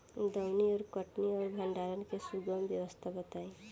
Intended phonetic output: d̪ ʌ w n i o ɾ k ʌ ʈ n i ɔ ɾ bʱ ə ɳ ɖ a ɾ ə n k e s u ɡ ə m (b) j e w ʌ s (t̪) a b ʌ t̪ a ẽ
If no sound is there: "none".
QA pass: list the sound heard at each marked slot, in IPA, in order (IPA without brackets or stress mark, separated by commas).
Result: b, t̪ʰ